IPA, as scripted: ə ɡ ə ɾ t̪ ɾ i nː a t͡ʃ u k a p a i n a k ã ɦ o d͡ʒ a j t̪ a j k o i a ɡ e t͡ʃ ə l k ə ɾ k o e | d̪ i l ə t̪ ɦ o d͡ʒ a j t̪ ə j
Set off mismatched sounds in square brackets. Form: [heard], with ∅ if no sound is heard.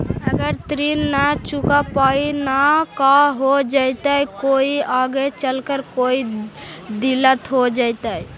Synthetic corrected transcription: ə ɡ ə ɾ t̪ ɾ i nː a t͡ʃ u k a p a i n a k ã ɦ o d͡ʒ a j t̪ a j k o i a ɡ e t͡ʃ ə l k ə ɾ k o [i] | d̪ i l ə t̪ ɦ o d͡ʒ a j t̪ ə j